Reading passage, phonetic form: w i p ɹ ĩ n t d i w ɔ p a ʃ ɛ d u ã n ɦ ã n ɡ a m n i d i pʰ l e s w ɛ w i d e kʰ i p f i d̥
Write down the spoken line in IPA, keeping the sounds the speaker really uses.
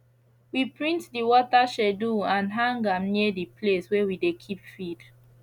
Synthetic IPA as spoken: w i p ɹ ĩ n t d i w ɔ t a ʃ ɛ d u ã n ɦ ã ŋ ɡ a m n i d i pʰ l e s w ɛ w i d e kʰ i p f i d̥